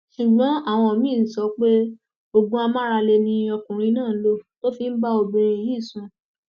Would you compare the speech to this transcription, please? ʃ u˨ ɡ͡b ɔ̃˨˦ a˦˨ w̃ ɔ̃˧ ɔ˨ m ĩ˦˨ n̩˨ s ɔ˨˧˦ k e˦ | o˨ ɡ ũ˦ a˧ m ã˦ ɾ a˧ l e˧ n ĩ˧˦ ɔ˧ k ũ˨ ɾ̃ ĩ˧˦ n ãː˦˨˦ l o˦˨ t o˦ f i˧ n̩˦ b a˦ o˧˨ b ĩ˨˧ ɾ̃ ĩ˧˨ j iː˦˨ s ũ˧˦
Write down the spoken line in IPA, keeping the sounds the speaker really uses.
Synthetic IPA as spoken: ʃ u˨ ɡ͡b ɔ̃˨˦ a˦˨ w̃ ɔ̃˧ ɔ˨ m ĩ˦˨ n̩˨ s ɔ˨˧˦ k͡p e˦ | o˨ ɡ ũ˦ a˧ m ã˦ ɾ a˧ l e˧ n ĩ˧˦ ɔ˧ k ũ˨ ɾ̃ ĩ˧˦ n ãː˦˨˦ l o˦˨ t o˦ f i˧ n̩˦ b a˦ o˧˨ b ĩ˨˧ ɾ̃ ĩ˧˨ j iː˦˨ s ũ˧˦